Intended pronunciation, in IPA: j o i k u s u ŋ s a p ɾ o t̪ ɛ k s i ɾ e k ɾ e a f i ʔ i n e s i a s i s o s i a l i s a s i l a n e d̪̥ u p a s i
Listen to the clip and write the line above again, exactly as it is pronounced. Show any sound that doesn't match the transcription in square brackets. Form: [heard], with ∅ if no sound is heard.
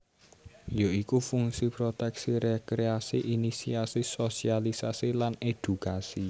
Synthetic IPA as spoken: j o i k u [f] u ŋ s [i] p ɾ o t̪ ɛ k s i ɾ e k ɾ e a [s] i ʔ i n [i] s i a s i s o s i a l i s a s i l a n e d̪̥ u [k] a s i